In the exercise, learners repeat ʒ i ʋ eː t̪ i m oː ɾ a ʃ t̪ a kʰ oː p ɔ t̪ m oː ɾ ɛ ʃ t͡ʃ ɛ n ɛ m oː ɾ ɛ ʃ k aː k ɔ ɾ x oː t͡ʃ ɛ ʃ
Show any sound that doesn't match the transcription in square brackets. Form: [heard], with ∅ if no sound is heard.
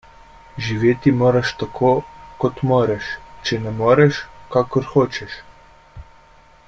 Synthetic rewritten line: ʒ i ʋ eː t̪ i m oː ɾ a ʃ t̪ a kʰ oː [k] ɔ t̪ m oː ɾ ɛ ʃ t͡ʃ ɛ n ɛ m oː ɾ ɛ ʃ k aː k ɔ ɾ x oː t͡ʃ ɛ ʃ